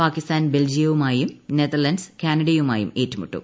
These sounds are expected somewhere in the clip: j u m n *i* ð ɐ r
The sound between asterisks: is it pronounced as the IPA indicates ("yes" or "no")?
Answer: no